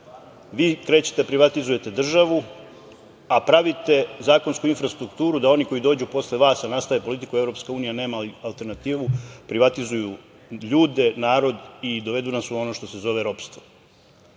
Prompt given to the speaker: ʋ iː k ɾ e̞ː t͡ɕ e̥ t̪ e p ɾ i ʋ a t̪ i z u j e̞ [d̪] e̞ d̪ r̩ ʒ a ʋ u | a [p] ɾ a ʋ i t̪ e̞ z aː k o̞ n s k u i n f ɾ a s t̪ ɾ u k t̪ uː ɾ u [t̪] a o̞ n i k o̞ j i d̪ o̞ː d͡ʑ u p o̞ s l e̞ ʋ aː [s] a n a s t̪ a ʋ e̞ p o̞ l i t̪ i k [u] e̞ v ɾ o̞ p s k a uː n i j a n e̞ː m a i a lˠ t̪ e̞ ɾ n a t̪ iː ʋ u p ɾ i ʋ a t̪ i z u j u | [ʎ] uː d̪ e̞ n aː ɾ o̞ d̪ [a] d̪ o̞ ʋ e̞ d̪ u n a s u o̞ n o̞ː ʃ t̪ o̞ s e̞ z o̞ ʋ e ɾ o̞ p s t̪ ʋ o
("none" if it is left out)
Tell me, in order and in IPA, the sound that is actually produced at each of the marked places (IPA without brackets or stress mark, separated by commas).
t̪, p, d̪, s, u, ʎ, i